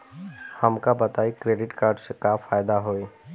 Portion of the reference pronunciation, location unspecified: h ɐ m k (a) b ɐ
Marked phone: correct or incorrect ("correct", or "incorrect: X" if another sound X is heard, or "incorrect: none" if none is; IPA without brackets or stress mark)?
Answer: correct